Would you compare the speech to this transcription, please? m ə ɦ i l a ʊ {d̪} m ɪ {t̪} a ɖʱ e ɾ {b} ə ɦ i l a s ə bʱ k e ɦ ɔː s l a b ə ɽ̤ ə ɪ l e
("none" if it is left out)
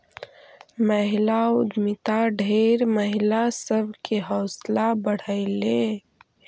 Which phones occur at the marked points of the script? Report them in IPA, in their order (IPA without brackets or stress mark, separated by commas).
d̪, t̪, m